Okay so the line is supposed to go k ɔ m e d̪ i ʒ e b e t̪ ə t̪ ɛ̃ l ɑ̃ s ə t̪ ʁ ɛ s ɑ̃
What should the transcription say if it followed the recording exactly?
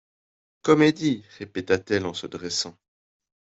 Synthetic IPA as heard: k ɔ m e d̪ i ʁ e p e t̪ a t̪ ɛ l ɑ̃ s ə d̪ ʁ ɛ s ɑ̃